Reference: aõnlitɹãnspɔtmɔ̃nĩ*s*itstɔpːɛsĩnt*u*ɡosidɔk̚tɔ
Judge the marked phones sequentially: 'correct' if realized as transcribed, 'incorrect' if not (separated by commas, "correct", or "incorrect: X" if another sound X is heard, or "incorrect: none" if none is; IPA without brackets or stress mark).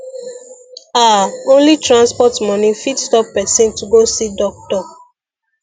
incorrect: f, correct